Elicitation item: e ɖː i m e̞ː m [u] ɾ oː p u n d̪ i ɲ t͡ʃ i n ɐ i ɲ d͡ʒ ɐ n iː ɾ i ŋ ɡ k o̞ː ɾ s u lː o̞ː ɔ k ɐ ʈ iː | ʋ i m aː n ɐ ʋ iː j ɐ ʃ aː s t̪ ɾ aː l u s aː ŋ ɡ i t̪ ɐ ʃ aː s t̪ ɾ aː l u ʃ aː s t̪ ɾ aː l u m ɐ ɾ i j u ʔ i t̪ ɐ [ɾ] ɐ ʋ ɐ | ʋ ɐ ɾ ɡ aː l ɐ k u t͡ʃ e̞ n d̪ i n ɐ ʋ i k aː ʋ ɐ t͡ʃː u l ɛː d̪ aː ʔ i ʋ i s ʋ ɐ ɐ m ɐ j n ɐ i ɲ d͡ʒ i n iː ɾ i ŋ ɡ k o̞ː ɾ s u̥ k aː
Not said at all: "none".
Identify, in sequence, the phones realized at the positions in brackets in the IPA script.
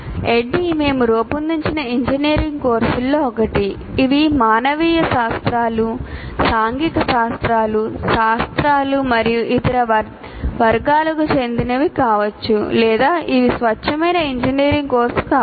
u, ɾ

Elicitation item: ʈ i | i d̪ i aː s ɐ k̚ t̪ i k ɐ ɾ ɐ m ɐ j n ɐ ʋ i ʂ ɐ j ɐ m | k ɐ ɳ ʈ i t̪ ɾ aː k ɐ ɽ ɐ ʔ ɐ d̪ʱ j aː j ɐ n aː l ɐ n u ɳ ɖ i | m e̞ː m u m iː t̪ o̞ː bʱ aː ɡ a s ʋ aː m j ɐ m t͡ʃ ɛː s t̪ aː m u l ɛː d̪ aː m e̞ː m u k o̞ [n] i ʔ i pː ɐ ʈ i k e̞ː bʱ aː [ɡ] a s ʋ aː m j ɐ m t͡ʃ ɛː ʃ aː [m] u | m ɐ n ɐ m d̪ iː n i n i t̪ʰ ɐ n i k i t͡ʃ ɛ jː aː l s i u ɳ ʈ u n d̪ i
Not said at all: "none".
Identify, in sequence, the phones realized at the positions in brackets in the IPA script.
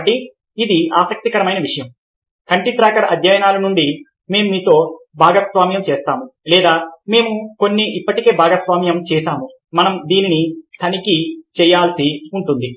nː, ɡ, m

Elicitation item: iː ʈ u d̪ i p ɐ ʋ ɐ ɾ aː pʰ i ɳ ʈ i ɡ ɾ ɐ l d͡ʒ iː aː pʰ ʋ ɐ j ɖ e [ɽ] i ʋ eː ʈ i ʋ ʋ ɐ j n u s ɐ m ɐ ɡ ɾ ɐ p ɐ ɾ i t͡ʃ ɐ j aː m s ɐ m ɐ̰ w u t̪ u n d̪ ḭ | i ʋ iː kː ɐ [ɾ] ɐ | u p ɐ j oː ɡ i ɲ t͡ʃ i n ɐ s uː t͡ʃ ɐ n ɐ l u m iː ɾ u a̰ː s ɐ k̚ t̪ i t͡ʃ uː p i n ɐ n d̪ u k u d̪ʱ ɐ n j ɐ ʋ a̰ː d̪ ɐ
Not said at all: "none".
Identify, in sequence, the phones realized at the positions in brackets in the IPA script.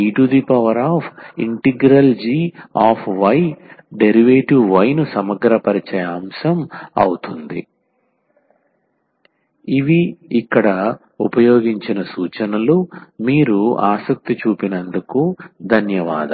ɾ, ɽ

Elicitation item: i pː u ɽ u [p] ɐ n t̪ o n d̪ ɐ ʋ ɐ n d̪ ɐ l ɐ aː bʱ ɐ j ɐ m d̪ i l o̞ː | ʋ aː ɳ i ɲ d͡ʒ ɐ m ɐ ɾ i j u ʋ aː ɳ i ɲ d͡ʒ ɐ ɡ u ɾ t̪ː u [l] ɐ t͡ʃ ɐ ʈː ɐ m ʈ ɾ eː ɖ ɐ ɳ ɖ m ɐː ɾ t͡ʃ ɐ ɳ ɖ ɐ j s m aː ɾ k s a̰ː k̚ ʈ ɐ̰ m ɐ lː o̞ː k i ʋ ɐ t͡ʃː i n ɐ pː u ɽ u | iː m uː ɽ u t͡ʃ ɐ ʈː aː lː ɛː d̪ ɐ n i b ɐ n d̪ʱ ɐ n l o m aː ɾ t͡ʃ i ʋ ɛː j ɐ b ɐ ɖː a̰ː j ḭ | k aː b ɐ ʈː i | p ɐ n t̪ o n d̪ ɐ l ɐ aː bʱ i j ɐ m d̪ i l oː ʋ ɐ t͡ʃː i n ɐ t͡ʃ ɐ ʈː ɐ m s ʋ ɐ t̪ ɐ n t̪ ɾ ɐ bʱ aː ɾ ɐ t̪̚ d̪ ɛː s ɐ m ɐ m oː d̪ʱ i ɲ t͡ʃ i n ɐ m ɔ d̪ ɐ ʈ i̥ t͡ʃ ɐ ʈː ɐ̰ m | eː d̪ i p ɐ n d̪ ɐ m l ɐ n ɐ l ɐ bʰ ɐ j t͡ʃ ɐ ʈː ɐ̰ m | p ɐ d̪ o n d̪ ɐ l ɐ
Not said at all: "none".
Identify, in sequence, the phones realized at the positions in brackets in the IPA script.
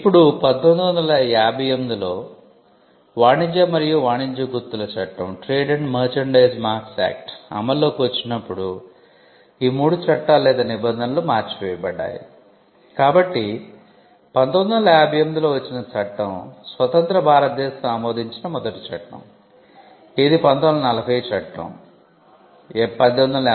p, l

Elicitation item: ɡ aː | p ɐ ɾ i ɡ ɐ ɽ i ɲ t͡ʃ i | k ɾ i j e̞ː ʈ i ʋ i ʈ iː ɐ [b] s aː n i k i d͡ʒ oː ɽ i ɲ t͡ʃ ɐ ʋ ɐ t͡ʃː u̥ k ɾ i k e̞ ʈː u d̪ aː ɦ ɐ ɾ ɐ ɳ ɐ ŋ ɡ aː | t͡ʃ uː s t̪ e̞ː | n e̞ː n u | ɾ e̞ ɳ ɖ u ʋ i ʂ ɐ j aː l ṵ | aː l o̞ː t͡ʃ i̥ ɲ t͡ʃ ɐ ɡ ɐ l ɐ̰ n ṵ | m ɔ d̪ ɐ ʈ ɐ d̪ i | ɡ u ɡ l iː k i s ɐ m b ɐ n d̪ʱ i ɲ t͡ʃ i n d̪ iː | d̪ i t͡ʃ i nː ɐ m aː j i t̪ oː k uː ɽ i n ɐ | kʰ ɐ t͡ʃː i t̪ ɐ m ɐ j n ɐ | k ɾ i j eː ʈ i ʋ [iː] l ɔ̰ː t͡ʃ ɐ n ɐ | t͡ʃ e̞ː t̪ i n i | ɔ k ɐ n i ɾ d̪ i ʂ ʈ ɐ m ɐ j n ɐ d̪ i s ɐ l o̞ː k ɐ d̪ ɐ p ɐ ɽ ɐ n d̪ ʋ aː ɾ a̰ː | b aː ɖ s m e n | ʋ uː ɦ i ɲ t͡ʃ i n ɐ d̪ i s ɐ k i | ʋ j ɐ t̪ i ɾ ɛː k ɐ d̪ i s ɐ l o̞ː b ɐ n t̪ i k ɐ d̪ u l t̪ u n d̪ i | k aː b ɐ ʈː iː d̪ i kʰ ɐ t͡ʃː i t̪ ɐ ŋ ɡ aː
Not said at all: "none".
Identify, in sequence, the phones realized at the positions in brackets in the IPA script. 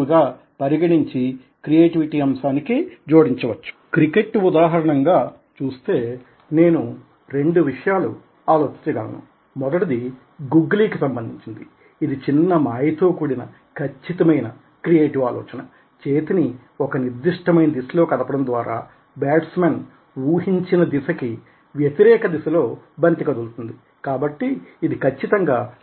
m, aː

